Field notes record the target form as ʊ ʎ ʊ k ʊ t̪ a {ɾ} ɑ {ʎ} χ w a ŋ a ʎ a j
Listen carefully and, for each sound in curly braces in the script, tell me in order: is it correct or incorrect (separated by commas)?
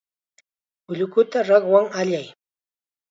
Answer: correct, incorrect